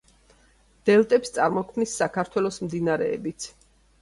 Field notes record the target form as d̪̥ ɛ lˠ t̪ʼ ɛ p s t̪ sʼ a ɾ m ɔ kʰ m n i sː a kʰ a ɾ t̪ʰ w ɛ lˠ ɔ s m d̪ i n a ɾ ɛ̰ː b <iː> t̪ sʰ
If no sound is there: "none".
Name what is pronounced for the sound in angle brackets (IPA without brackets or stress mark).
i